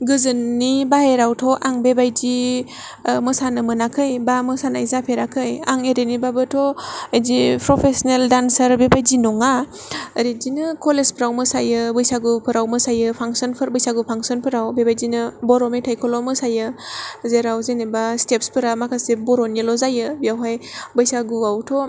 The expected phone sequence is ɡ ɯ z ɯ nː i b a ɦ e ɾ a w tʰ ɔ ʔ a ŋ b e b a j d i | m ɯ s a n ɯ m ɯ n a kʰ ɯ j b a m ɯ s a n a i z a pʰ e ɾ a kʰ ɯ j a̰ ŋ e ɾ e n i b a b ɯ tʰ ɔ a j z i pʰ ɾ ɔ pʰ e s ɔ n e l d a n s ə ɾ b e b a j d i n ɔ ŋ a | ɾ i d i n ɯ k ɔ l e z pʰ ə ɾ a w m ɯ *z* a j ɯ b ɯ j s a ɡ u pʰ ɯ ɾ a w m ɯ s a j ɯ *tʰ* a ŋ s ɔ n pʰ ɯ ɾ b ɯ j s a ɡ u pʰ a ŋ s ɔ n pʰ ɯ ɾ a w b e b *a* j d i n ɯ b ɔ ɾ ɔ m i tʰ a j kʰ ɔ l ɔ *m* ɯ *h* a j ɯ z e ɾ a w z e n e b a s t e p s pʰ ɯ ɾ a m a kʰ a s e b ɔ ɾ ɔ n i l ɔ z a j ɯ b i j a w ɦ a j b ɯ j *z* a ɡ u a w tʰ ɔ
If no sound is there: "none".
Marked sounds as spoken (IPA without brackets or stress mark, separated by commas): s, pʰ, a, m, s, s